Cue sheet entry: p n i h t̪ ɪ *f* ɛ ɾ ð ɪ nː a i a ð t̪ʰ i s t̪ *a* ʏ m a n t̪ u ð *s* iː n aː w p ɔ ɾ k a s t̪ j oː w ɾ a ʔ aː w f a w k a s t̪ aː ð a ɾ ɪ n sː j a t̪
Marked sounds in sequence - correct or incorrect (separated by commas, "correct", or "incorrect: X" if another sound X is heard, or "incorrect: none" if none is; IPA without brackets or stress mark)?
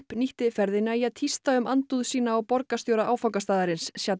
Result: correct, correct, correct